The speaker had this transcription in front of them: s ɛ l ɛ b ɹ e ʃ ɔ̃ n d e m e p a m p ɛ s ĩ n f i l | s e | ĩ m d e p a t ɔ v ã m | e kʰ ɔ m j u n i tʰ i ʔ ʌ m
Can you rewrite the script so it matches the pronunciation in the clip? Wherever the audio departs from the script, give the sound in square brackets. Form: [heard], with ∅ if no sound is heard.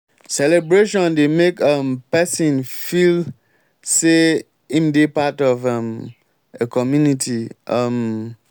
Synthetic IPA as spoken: s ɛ l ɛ b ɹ e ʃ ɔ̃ n d e m e [k] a m p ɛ s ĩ n f i l | s e | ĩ m d e p a t ɔ v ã m | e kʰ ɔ m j u n i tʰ i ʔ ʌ m

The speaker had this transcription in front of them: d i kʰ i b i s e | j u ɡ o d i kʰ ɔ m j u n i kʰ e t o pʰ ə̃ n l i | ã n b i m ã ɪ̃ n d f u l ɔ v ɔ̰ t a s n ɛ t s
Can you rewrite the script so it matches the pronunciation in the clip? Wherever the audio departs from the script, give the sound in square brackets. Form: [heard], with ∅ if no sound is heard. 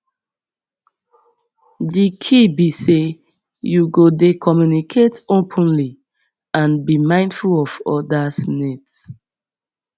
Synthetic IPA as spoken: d i kʰ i b i s e | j u ɡ o d [e] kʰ ɔ m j u n i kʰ e t o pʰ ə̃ n l i | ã n b i m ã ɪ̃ n d f u l ɔ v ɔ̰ [d] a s n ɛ t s

